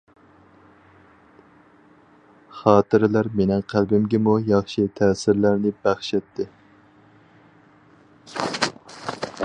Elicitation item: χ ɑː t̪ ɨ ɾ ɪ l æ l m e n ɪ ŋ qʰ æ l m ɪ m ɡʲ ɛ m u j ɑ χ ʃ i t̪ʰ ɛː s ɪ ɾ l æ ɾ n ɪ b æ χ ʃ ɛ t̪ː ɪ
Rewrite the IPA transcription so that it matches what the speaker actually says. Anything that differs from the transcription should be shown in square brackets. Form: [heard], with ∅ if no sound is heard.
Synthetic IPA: χ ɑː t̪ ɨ ɾ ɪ l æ [ɾ] m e n ɪ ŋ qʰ æ l [b] ɪ m ɡʲ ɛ m u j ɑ χ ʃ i t̪ʰ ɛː s ɪ ɾ l æ ɾ n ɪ b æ χ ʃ ɛ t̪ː ɪ